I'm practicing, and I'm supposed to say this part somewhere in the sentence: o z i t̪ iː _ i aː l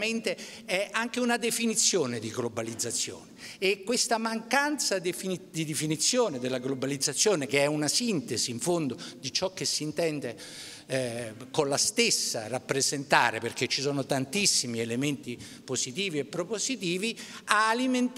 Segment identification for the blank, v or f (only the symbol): v